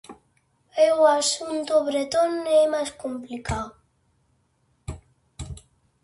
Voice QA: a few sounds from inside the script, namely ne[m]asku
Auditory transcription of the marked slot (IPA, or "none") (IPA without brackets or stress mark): m